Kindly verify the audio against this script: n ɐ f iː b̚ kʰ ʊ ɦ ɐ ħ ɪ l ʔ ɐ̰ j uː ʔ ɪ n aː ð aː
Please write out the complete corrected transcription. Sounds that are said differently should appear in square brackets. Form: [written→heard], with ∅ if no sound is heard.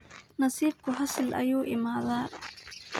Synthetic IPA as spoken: n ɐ [f→s] iː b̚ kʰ ʊ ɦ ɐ [ħ→s] ɪ l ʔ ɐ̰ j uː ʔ ɪ [n→m] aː ð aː